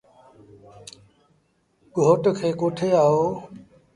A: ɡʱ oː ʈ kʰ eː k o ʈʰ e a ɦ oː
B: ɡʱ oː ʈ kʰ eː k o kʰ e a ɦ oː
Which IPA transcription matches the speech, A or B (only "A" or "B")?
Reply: A